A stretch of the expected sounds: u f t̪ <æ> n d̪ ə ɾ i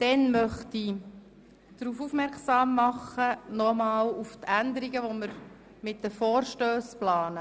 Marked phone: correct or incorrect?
correct